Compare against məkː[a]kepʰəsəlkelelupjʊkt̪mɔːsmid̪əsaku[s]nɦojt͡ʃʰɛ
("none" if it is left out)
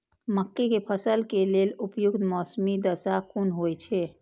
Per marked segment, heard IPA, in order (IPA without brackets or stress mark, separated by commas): e, none